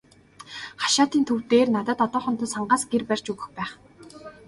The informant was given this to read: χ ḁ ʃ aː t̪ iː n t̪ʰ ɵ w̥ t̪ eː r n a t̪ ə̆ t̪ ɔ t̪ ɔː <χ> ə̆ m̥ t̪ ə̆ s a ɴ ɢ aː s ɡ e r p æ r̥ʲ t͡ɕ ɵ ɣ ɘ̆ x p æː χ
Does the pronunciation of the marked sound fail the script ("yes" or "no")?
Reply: no